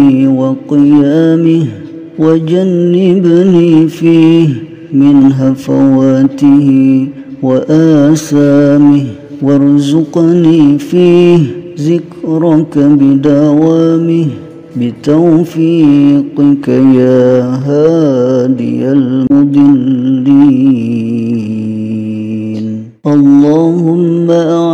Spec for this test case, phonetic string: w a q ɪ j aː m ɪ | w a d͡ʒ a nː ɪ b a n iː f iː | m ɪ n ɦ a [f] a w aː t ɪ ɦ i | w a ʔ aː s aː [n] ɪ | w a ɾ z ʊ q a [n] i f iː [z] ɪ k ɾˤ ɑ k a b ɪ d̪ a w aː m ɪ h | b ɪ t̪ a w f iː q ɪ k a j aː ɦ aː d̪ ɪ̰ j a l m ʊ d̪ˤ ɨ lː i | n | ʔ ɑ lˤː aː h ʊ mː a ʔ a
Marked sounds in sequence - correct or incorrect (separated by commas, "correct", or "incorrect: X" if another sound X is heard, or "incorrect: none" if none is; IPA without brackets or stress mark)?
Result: correct, incorrect: m, correct, correct